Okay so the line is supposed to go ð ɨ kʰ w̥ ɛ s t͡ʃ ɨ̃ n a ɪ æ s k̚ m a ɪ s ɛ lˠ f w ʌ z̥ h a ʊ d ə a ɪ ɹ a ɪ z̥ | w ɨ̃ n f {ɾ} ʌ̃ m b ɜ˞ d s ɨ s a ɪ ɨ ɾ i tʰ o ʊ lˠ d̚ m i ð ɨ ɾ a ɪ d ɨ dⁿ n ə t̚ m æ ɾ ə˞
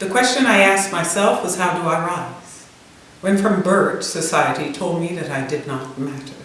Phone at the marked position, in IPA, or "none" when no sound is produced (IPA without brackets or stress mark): ɹ